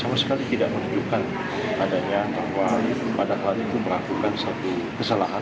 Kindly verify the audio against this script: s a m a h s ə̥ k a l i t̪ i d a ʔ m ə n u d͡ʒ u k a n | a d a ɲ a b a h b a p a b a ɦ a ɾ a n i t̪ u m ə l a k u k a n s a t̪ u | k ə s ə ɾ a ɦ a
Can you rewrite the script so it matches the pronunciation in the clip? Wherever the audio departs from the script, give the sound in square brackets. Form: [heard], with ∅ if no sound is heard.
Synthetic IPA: s a m a [∅] s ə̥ k a l i t̪ i d a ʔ m ə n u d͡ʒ u k a n | a d a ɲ a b a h [w] a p a [d] a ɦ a [l] a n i t̪ u m ə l a k u k a n s a t̪ u | k ə s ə [l] a ɦ a